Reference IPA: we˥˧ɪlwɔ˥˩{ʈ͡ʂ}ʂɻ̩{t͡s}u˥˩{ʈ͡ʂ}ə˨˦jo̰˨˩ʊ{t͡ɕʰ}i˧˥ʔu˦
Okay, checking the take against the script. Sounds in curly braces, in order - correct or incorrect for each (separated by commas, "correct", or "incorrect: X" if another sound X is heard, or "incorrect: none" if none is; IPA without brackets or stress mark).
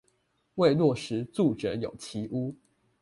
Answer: incorrect: none, correct, correct, correct